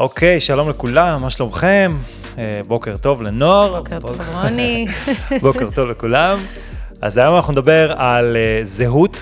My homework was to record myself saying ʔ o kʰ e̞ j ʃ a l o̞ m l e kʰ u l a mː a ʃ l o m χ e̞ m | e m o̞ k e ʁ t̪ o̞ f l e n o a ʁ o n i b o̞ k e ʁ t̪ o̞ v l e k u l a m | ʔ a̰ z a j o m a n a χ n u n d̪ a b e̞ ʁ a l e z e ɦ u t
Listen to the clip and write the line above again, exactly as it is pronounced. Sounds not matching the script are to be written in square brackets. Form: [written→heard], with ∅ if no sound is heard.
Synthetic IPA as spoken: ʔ o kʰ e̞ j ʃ a l o̞ m l e [kʰ→k] u l a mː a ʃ l o m χ e̞ m | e [m→b] o̞ k e ʁ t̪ o̞ [f→v] l e n o a ʁ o n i b o̞ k e ʁ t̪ o̞ v l e k u l a m | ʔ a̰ z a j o m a n a χ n u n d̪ a b e̞ ʁ a l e z e ɦ u t